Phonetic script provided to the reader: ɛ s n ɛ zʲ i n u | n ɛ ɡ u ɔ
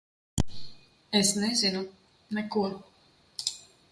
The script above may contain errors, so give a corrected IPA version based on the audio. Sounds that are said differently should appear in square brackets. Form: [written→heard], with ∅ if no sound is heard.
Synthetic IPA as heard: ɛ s n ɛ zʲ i n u | n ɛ [ɡ→k] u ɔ